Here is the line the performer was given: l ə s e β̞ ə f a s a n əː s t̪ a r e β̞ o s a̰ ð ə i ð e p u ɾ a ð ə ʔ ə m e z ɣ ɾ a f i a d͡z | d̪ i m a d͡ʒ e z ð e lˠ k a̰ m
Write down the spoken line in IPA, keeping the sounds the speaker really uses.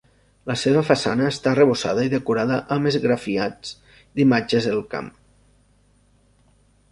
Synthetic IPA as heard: l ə s e β̞ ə f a s a n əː s t̪ a r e β̞ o s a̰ ð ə i ð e k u ɾ a ð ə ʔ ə m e z ɣ ɾ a f i a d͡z | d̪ i m a d͡ʒ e z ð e lˠ k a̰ m